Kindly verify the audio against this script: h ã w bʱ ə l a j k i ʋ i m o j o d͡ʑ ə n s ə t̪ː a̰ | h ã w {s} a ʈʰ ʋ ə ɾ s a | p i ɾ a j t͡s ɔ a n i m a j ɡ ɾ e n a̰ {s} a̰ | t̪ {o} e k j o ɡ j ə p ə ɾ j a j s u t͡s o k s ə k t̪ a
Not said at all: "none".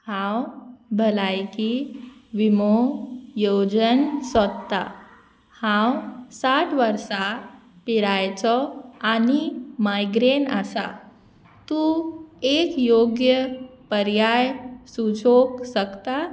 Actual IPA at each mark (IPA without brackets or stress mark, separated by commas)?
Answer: s, s, u